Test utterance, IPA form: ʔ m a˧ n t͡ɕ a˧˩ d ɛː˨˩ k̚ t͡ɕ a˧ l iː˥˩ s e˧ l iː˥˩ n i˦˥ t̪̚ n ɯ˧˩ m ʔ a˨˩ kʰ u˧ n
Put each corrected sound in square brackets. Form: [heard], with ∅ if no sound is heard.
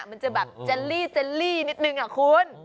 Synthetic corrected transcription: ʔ m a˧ n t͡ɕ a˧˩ [b] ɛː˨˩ [p̚] t͡ɕ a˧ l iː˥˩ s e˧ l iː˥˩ n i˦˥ t̪̚ n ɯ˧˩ [ŋ] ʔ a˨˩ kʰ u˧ n